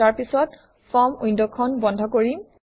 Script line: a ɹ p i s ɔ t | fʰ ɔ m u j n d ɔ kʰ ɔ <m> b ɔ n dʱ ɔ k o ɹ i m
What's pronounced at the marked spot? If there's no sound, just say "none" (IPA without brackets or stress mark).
n